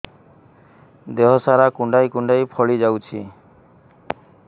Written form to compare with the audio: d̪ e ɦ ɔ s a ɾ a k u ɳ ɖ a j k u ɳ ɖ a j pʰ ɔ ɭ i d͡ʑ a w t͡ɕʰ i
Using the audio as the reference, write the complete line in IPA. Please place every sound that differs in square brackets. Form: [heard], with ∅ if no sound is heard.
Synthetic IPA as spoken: d̪ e ɦ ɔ s a ɾ a k u ɳ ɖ a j k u ɳ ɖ a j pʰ ɔ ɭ i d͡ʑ a w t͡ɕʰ i